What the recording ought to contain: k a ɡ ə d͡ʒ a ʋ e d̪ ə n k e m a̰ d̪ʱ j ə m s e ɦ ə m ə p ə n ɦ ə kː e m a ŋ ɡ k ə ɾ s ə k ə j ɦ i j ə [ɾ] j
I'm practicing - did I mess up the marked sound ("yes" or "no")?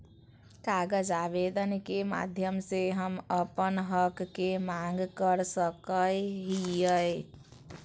yes